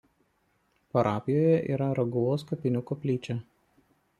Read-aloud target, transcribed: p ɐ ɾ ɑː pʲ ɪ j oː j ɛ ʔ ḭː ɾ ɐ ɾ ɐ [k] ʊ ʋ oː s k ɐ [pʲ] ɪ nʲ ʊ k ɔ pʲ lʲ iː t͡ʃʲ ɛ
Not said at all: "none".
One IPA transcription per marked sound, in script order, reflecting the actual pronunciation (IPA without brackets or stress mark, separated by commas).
ɡ, pʲ